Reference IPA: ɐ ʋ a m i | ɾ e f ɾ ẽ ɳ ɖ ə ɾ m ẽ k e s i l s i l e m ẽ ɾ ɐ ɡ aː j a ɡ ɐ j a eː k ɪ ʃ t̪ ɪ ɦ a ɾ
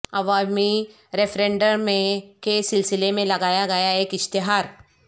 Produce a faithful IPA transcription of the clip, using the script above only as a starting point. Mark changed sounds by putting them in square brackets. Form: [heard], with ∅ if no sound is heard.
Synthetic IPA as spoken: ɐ ʋ a m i | ɾ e f ɾ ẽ ɳ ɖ ə ɾ m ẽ k e s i l s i l e m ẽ [l] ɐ ɡ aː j a ɡ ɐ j a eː k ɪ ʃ t̪ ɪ ɦ a ɾ